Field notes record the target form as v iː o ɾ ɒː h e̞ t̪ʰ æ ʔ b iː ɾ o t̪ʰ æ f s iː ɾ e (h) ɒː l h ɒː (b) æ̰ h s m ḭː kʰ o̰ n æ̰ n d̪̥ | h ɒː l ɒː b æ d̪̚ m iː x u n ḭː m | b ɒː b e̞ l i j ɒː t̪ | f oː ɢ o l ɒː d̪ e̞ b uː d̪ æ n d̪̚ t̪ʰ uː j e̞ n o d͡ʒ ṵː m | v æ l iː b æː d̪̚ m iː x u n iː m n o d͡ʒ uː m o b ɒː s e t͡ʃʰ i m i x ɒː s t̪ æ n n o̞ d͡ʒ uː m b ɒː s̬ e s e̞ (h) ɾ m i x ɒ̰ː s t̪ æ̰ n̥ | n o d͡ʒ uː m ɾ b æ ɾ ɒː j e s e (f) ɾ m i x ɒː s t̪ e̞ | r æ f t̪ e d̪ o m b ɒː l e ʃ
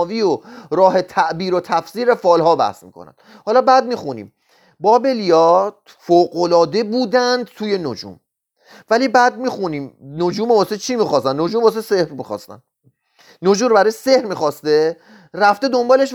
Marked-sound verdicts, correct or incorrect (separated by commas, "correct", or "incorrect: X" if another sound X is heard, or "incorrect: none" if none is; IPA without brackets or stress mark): incorrect: f, correct, correct, incorrect: h